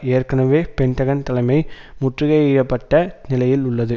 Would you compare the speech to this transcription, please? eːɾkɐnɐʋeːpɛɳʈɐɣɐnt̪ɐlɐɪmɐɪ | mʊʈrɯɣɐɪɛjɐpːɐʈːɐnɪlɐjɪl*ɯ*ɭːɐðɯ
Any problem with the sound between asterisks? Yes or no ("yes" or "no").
yes